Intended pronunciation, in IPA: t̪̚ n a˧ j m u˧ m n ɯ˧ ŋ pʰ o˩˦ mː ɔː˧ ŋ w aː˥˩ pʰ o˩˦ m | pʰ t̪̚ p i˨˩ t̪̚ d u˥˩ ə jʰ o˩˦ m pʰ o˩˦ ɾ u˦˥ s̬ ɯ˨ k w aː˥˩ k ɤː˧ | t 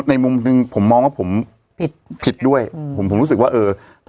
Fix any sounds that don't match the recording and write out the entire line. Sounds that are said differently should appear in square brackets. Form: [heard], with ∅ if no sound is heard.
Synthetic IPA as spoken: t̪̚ n a˧ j m u˧ m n ɯ˧ ŋ pʰ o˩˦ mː ɔː˧ ŋ w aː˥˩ pʰ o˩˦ m | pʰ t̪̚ [pʰ] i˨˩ t̪̚ d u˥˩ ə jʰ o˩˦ m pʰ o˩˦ ɾ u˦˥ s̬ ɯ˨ k w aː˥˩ [ʔ] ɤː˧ | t